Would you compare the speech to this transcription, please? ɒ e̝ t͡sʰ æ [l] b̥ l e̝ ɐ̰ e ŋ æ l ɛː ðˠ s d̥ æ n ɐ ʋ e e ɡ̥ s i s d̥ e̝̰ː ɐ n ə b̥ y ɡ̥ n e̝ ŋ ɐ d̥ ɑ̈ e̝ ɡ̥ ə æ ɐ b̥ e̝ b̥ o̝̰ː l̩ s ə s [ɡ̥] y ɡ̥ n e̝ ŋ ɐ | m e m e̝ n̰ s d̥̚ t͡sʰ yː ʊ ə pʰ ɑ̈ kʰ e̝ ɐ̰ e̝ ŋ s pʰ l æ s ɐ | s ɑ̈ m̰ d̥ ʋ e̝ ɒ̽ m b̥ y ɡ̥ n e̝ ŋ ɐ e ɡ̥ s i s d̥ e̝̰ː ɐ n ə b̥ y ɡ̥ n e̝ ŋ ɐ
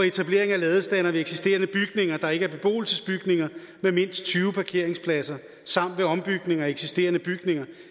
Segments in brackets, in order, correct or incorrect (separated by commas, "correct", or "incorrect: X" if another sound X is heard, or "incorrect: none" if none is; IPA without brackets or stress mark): incorrect: none, incorrect: b̥